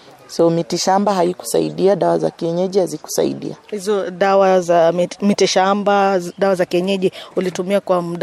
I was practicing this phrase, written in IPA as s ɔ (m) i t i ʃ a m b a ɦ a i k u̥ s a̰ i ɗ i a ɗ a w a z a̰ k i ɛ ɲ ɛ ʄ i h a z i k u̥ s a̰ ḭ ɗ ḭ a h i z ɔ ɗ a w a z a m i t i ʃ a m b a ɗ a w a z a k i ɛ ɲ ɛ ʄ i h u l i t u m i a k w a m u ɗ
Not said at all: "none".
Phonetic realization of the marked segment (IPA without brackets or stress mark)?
m